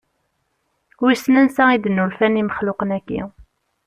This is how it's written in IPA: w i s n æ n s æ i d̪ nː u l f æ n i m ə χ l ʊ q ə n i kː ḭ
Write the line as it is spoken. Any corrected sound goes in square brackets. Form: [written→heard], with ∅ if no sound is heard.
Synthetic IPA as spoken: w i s n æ n s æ i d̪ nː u l f æ n i m ə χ l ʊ q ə n [i→æ] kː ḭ